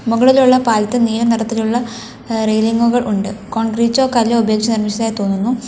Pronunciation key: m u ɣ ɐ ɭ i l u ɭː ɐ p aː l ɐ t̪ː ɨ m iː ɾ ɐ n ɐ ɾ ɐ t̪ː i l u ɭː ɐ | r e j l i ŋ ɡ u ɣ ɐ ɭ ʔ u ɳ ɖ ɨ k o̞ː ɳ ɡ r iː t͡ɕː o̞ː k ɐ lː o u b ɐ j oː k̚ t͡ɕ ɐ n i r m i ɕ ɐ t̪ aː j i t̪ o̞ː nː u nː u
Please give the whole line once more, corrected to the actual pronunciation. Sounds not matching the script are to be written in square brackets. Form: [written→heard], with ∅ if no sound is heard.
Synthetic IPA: m u ɣ ɐ ɭ i l u ɭː ɐ p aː l ɐ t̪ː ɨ [m→n] iː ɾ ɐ n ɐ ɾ ɐ t̪ː i l u ɭː ɐ | r e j l i ŋ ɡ u ɣ ɐ ɭ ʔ u ɳ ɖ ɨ k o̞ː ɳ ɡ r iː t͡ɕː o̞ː k ɐ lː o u b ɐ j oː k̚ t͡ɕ ɐ n i r m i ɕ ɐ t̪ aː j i t̪ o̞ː nː u nː u